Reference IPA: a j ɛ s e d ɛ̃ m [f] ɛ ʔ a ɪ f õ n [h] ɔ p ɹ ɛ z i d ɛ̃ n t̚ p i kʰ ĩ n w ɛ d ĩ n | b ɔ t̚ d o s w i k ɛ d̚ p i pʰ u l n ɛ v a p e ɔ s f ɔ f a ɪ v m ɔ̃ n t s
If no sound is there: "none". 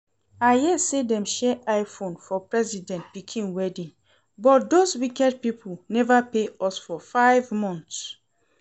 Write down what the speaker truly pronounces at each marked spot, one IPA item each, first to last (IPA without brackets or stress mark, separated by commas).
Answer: ʃ, f